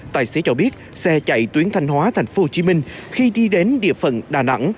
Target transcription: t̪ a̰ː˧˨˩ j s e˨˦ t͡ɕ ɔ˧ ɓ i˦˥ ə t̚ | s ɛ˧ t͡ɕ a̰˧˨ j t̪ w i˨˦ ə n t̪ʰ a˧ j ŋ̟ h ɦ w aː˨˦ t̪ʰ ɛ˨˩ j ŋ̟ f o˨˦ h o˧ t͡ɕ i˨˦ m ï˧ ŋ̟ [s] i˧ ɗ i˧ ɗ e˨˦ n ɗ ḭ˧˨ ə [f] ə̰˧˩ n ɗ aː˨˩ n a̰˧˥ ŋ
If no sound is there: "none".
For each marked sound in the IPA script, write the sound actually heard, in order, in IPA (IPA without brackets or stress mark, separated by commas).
x, f